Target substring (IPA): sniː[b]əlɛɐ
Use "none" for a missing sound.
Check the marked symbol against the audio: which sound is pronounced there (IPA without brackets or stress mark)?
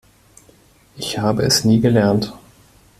ɡ